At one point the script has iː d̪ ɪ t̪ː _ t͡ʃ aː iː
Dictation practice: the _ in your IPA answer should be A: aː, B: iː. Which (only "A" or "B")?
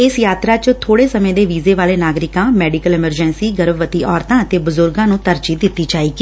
B